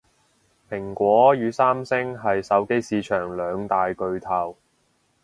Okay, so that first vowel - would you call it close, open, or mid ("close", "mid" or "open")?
close